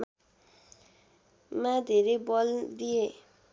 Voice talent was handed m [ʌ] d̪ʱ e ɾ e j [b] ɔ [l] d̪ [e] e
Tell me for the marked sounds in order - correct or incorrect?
incorrect, correct, correct, incorrect

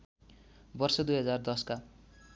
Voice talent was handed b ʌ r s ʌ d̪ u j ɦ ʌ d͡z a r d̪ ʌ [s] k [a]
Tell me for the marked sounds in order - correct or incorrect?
correct, correct

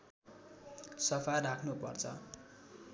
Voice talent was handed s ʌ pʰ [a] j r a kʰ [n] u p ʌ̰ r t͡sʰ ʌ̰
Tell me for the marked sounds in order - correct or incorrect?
correct, correct

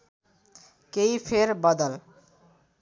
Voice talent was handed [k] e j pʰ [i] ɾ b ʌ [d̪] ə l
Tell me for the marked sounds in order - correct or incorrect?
correct, incorrect, correct

